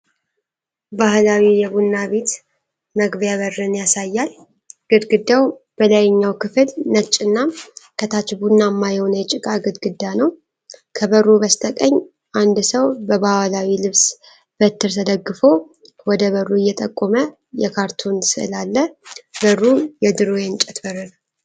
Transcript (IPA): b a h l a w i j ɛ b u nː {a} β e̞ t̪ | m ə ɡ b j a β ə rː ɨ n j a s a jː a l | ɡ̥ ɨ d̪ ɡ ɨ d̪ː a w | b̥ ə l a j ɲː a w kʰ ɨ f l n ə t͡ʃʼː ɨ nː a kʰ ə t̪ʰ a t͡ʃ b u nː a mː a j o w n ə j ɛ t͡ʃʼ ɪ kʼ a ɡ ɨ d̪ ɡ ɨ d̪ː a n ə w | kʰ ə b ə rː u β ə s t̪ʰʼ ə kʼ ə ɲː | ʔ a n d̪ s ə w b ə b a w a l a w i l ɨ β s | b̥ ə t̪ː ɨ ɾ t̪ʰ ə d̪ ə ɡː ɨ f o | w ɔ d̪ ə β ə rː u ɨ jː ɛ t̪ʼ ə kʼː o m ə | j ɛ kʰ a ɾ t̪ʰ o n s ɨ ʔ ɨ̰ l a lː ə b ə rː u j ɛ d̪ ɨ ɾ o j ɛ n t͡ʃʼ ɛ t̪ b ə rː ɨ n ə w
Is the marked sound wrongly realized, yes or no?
no